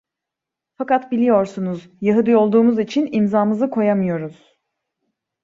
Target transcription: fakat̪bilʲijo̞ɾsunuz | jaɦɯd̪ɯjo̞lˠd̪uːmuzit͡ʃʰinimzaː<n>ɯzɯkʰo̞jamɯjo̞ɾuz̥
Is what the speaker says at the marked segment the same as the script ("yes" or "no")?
no